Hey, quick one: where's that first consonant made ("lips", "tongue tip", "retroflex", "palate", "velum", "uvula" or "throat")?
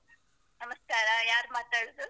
tongue tip